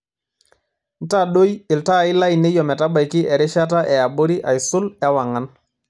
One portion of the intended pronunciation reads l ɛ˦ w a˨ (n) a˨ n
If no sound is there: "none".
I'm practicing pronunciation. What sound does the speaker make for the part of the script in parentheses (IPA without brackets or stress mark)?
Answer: ŋ